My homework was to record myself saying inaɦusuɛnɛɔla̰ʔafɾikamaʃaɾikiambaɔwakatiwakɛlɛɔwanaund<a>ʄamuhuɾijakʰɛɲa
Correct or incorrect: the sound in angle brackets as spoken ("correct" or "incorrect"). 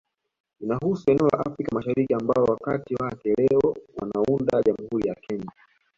correct